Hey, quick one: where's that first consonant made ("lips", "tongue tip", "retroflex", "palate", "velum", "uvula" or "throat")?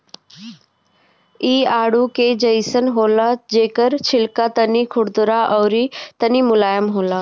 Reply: retroflex